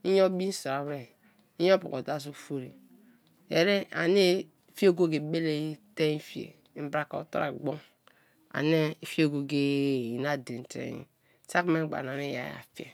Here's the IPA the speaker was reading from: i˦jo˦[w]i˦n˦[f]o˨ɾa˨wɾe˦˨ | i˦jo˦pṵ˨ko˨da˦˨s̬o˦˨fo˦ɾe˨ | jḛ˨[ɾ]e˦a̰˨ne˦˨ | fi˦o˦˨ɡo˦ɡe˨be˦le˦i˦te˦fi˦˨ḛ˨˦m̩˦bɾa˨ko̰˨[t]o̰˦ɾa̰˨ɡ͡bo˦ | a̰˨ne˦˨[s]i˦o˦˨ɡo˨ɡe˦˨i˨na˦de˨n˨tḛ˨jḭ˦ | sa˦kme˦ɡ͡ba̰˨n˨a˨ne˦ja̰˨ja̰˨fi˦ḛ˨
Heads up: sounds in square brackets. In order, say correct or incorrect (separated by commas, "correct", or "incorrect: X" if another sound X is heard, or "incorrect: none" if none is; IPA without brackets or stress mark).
incorrect: b, incorrect: s, correct, correct, incorrect: f